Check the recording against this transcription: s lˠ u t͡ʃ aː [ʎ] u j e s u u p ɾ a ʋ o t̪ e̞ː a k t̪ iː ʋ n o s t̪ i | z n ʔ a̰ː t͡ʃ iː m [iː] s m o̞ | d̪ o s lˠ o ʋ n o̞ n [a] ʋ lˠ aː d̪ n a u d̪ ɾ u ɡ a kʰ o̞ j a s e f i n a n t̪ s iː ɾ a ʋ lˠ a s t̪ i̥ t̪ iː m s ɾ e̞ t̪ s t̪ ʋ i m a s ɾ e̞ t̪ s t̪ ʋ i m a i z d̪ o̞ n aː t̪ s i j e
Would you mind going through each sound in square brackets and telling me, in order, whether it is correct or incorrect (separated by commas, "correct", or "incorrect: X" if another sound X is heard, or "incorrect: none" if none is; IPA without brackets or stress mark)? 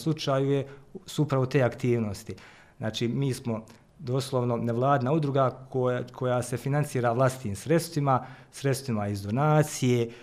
incorrect: j, correct, incorrect: e